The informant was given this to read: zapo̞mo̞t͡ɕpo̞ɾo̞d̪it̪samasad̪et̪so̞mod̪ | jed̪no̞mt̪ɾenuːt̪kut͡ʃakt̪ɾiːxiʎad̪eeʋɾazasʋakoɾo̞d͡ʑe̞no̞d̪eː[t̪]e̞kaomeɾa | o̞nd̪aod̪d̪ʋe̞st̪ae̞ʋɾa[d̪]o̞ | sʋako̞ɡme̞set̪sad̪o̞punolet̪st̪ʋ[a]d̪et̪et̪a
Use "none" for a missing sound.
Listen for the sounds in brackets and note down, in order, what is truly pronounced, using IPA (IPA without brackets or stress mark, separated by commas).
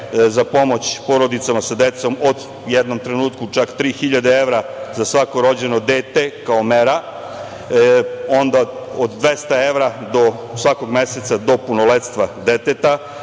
t̪, d̪, a